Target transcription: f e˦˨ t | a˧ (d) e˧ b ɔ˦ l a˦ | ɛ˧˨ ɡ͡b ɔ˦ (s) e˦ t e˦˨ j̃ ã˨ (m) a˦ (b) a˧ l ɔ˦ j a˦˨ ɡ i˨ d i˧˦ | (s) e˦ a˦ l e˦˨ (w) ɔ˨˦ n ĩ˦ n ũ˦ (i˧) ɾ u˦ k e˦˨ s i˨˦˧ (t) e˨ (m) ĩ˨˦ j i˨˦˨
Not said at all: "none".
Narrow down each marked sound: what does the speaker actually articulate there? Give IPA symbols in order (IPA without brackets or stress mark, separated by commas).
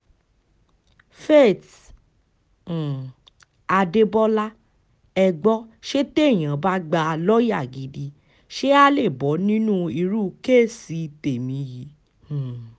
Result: d, ʃ, b, ɡ͡b, ʃ, b, i˧, t, m